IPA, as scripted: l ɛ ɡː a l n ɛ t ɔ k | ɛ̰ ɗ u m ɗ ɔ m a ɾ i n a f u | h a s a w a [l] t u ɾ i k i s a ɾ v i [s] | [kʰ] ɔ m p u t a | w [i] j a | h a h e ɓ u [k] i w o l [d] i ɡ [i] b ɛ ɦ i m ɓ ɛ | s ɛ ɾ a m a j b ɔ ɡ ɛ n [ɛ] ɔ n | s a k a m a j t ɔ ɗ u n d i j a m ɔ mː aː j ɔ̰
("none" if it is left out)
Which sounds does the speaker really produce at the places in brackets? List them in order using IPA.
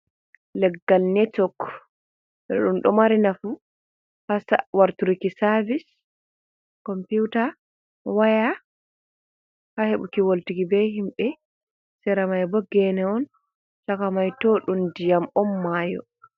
ɾ, s, k, a, k, t, i, ɛ

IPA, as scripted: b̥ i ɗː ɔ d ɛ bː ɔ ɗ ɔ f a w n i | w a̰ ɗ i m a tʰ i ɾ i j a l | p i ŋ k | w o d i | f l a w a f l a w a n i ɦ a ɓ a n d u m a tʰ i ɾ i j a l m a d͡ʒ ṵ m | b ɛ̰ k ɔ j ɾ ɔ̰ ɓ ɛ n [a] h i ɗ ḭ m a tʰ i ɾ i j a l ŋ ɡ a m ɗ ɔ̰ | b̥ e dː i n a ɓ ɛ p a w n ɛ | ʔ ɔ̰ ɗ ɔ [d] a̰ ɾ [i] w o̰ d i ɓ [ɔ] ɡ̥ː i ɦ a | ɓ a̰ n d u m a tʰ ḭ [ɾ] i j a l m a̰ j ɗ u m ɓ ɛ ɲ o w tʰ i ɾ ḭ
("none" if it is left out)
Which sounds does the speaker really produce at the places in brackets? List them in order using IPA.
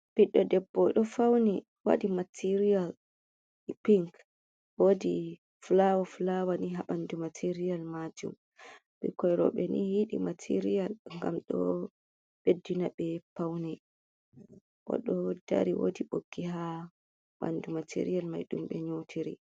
i, d, i, o, ɾ

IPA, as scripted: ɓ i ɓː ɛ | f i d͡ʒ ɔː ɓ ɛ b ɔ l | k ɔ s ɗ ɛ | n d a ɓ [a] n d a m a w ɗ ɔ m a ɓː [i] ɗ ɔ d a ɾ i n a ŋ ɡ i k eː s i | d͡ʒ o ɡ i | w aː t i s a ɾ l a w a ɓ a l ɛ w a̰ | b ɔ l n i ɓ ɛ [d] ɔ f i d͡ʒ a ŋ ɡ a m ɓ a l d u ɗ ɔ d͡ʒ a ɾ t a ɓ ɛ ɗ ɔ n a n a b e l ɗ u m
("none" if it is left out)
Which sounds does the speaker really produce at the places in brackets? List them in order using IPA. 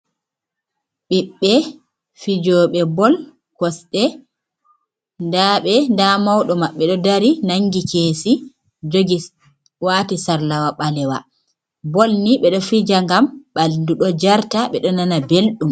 ɛ, ɛ, ɗ

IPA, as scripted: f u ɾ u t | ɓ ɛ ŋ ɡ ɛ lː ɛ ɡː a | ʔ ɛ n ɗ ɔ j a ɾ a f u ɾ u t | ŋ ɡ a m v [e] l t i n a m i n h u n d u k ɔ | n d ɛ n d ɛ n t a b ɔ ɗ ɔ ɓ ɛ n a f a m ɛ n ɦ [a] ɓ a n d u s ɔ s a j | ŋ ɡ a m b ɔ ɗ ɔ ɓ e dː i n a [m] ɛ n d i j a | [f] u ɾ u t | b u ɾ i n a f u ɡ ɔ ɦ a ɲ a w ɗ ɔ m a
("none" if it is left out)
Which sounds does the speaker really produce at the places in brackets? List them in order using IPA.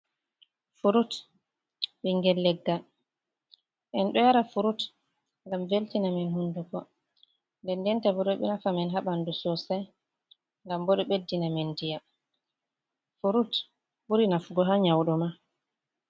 e, a, m, f

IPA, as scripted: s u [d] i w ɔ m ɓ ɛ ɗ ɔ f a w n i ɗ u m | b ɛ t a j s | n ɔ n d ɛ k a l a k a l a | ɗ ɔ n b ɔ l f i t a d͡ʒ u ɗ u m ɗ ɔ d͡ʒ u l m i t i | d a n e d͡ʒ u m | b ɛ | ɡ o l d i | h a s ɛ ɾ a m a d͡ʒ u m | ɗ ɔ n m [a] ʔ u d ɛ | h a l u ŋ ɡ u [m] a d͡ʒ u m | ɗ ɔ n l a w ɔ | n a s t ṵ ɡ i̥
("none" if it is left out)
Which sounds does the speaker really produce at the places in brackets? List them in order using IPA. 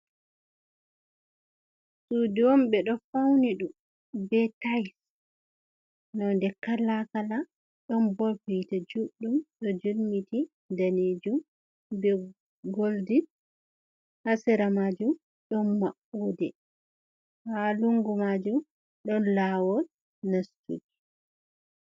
d, a, m

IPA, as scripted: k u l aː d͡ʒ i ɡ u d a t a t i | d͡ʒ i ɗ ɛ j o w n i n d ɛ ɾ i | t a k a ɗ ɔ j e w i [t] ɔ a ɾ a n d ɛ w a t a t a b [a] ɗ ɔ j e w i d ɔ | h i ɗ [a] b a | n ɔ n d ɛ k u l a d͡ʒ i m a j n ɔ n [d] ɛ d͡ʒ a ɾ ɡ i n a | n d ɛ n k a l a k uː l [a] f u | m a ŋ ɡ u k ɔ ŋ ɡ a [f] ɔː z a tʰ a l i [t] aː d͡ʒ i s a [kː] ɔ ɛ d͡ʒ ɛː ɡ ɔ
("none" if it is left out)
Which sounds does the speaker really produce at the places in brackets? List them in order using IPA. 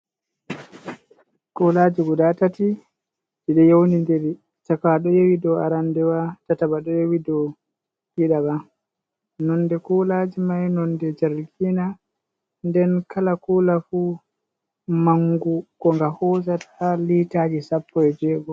d, a, a, d, a, h, t, pː

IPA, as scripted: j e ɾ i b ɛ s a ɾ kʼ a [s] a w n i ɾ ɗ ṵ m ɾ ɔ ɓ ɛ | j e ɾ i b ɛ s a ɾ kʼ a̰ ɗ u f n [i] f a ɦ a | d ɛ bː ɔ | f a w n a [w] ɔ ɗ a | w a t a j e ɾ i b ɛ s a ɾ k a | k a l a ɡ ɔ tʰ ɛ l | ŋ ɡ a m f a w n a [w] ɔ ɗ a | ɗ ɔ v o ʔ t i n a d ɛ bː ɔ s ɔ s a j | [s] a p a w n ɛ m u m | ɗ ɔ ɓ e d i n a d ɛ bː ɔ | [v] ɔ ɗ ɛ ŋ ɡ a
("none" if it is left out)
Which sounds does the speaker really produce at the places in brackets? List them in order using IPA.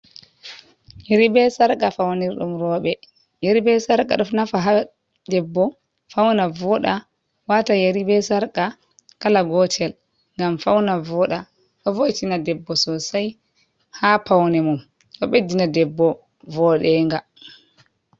f, a, v, v, h, v

